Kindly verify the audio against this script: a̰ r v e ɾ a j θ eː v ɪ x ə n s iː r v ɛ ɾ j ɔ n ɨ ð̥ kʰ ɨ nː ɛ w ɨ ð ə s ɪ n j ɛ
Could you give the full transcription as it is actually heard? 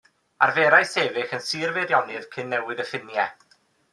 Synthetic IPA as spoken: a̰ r v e ɾ a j s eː v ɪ x ə n s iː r v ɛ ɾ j ɔ n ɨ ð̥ kʰ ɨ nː ɛ w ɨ ð ə f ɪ n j ɛ